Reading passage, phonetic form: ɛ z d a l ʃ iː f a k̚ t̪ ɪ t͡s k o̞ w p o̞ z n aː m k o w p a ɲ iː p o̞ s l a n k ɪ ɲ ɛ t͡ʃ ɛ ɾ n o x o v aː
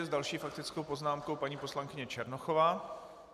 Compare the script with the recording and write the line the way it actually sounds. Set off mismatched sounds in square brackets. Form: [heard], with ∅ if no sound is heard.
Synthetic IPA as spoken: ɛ z d a l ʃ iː f a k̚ t̪ ɪ t͡s k o̞ w p o̞ z n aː m k o w p a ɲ iː p o̞ s l a [ŋ] k ɪ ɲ ɛ t͡ʃ ɛ ɾ n o x o v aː